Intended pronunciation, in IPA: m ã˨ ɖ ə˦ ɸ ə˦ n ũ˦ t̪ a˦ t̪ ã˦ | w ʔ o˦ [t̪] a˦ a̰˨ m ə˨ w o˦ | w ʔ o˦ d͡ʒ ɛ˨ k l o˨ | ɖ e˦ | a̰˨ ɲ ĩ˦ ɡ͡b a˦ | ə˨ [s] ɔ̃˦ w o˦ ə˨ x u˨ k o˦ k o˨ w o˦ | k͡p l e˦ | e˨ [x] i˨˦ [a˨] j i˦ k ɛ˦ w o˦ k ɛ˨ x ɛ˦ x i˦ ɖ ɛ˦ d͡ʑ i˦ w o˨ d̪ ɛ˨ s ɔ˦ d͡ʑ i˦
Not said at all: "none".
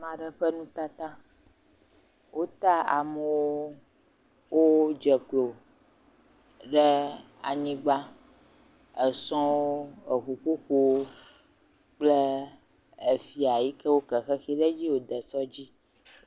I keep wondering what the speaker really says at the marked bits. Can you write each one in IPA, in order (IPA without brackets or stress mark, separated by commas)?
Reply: t̪, s, f, a˨